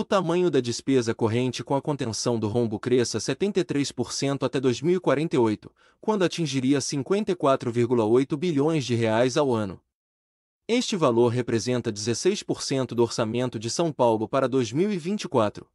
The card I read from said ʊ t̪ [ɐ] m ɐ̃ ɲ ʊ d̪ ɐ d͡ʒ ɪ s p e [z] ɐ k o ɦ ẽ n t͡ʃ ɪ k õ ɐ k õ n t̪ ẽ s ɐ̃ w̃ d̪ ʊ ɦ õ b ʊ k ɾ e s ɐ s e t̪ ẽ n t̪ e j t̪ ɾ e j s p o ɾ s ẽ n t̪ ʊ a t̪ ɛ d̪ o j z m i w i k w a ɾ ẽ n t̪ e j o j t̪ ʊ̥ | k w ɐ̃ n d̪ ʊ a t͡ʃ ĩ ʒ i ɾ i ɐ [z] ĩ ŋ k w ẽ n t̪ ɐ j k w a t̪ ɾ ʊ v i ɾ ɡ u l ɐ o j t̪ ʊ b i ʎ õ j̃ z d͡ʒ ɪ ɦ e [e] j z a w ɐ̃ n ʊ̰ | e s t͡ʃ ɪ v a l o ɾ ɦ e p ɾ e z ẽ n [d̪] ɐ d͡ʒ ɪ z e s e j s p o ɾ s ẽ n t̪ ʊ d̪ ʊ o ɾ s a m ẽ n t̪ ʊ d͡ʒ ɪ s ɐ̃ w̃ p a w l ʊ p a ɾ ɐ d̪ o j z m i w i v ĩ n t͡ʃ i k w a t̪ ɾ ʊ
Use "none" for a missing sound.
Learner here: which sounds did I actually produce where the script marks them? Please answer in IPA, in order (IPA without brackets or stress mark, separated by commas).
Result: a, z, s, a, t̪